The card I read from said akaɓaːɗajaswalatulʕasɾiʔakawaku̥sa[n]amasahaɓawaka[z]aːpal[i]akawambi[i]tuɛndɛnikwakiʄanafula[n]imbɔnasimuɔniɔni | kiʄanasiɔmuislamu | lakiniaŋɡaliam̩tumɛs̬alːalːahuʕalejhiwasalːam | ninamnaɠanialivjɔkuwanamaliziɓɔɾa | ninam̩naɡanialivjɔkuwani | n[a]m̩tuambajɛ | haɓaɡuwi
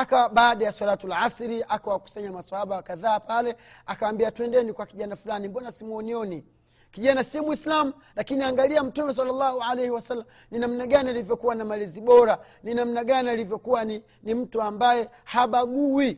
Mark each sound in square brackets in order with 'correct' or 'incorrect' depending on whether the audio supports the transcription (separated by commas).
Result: incorrect, incorrect, incorrect, incorrect, correct, incorrect